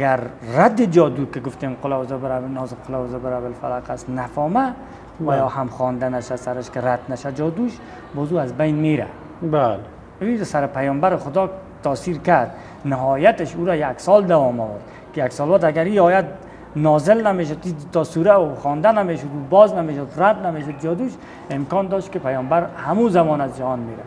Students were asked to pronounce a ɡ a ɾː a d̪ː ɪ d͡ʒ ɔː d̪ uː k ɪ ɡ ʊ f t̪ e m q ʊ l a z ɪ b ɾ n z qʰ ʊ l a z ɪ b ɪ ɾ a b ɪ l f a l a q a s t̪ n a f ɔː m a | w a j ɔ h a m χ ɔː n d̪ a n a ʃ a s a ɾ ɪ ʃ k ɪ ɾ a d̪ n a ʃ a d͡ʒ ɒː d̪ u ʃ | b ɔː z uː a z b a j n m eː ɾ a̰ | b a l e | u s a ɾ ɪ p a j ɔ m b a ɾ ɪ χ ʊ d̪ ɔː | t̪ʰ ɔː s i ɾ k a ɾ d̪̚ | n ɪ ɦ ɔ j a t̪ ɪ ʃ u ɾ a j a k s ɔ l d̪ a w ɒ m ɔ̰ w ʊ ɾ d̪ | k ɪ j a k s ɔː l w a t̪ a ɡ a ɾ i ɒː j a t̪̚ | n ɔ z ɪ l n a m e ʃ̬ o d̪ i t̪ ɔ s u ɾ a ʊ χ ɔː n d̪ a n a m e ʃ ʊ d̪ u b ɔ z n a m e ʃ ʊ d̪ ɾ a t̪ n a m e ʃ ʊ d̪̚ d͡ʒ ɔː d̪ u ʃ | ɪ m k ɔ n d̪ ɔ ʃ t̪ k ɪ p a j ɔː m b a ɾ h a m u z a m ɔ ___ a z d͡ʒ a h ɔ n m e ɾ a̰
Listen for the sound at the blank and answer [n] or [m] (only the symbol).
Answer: n